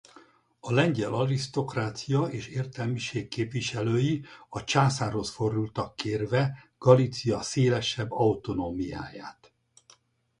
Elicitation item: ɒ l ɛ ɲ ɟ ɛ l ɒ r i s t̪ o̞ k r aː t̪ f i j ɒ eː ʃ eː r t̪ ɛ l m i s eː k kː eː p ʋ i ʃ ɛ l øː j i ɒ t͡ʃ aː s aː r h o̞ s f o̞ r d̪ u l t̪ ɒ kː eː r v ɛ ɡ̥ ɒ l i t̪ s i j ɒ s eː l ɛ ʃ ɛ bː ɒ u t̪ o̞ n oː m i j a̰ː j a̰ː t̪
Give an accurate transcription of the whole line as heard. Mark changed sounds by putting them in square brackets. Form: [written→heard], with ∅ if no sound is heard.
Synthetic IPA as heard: ɒ l ɛ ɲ ɟ ɛ l ɒ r i s t̪ o̞ k r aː t̪ [f→s] i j ɒ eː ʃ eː r t̪ ɛ l m i [s→ʃ] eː k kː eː p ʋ i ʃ ɛ l øː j i ɒ t͡ʃ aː s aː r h o̞ s f o̞ r d̪ u l t̪ ɒ kː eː r v ɛ ɡ̥ ɒ l i t̪ s i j ɒ s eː l ɛ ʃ ɛ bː ɒ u t̪ o̞ n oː m i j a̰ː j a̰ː t̪